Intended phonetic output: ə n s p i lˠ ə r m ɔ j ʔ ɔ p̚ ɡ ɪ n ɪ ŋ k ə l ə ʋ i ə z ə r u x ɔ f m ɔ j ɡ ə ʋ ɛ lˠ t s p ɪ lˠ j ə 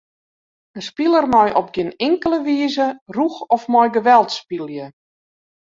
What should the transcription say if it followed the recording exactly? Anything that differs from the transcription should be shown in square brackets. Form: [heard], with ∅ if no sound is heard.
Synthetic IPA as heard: ə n s p i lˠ ə r m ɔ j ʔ ɔ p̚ ɡ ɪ n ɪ ŋ k ə l ə ʋ i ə z ə r u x ɔ f m ɔ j ɡ ə ʋ ɛ lˠ t s p [i] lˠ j ə